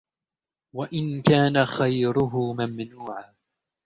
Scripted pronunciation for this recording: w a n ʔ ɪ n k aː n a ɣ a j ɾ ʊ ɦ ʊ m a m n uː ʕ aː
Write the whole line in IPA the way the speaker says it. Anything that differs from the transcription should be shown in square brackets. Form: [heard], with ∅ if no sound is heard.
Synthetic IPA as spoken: w a [∅] ʔ ɪ n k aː n a [x] a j ɾ ʊ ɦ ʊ m a m n uː ʕ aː